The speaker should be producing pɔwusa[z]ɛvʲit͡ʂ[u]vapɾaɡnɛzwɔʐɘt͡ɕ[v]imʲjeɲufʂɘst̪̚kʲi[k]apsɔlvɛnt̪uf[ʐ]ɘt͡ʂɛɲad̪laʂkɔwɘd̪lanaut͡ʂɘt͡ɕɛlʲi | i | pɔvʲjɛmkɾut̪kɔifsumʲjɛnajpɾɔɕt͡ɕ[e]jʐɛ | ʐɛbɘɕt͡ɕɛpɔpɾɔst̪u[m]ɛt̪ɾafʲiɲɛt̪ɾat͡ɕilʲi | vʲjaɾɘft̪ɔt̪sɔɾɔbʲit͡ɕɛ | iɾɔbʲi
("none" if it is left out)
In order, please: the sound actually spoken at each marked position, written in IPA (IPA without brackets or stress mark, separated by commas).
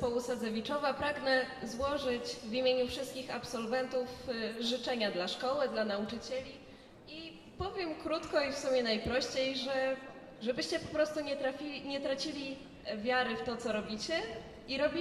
z, ɔ, v, x, ʐ, e, ɲ